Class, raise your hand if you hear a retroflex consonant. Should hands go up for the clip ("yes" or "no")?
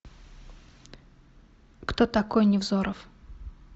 no